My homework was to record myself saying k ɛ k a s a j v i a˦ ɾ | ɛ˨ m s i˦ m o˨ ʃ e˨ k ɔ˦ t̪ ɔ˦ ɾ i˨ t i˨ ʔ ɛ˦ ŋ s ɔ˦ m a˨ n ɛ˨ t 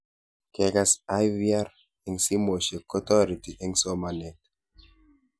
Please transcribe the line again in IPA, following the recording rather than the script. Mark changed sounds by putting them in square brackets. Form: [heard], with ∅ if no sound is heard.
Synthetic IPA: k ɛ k a s a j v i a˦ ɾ | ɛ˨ [ŋ] s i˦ m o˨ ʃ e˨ k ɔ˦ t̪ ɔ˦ ɾ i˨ t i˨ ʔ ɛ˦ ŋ s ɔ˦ m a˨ n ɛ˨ t

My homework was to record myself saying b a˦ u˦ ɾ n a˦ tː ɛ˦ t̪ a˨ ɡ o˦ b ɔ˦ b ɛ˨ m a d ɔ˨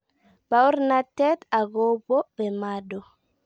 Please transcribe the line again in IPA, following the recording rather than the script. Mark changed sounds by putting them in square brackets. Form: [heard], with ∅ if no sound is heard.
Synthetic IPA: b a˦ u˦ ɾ n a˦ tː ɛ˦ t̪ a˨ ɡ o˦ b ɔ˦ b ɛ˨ m a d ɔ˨

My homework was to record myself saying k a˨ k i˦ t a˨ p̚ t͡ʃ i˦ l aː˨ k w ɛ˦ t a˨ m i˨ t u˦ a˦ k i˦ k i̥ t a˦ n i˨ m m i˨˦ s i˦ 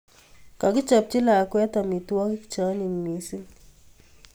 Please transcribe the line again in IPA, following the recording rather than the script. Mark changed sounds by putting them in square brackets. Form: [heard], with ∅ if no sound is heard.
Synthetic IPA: k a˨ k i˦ [t͡ʃ] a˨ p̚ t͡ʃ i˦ l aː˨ k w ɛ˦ t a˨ m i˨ t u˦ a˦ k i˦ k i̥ [t͡ʃ] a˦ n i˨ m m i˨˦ s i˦

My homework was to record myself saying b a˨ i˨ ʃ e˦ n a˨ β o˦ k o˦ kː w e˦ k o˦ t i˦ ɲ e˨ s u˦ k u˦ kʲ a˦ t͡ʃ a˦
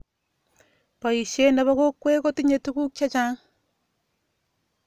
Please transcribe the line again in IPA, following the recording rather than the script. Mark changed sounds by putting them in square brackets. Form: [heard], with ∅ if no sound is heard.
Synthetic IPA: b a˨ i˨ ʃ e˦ n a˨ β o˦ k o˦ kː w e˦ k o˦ t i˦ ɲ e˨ [t] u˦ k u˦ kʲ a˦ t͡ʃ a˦

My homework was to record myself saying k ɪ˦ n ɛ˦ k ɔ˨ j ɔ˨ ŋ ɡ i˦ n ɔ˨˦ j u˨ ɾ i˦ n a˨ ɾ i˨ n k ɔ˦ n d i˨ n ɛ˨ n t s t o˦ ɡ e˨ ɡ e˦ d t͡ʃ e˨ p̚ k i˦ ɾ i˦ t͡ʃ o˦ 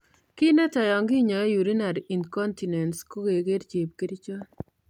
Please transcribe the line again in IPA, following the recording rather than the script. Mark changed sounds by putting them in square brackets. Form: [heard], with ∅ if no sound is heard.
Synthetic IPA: k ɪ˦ n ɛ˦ [t] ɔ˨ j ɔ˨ ŋ ɡ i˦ [ɲ] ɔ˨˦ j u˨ ɾ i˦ n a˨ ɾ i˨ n k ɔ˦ n [t] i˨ n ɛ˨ n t s [k] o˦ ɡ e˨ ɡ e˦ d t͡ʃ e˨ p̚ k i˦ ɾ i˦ t͡ʃ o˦

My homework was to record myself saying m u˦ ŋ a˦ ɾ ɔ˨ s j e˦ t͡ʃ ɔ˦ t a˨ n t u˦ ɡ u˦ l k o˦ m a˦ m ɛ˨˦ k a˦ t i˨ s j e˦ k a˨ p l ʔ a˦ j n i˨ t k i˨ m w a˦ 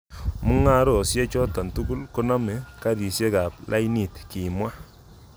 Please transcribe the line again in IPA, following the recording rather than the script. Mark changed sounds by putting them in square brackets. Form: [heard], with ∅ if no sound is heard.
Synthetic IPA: m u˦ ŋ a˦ ɾ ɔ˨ s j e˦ t͡ʃ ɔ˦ t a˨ n t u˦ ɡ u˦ l k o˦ [n] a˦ m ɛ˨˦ k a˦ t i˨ s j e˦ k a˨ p l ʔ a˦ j n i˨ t k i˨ m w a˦

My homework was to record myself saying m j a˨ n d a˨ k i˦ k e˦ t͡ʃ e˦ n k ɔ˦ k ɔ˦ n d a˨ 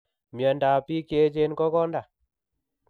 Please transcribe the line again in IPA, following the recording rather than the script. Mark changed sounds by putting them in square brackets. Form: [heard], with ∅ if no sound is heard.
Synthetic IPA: m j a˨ n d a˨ [p] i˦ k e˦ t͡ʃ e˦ n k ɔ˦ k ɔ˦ n d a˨

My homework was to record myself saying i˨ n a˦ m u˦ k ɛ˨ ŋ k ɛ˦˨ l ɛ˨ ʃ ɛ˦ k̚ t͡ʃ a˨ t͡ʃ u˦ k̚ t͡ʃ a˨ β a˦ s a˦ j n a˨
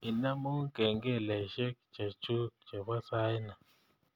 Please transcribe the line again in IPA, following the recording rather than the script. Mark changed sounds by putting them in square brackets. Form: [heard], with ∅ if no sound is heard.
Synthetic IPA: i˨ n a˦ m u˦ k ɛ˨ ŋ [ɡ] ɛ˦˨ l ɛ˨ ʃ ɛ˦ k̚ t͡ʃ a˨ t͡ʃ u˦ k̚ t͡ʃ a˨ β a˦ s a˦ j n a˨

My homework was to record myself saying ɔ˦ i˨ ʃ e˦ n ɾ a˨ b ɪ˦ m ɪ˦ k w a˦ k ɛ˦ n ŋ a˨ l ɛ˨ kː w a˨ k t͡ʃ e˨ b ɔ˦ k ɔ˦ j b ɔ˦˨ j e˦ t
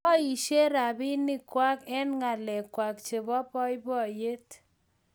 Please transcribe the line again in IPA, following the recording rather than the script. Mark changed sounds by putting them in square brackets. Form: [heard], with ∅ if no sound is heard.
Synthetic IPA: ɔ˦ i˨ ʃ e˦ [∅] ɾ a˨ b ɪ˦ [n] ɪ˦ k w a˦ k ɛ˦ n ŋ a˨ l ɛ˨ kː w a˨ k t͡ʃ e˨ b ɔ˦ [p] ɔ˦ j b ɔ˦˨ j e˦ t

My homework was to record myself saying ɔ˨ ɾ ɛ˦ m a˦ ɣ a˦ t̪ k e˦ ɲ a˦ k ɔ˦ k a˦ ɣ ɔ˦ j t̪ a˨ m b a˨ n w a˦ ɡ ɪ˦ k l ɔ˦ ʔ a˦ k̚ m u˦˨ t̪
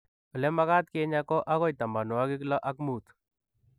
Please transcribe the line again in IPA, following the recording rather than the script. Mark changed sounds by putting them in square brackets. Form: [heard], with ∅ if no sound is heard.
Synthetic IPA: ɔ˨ [l] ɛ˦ m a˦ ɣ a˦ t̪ k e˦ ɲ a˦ k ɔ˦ [ʔ] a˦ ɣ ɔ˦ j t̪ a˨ m b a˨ n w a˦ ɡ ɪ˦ k l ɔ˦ ʔ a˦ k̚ m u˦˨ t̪

